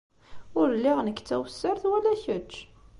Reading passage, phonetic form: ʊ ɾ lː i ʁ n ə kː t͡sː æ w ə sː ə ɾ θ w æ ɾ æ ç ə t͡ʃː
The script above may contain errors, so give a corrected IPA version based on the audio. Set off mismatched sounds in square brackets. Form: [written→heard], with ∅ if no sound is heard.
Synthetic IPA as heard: ʊ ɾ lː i ʁ n ə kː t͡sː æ w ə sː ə ɾ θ w æ [ɾ→l] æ ç ə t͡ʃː